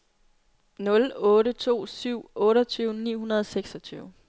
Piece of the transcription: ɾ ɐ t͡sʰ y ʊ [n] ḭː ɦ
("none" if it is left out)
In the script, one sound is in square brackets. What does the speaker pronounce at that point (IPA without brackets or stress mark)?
n